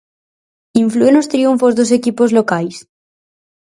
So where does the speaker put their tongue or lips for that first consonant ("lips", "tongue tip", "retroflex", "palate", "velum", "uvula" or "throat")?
lips